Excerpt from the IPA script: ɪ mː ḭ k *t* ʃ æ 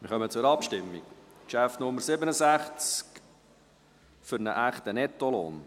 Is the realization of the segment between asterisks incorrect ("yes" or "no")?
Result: yes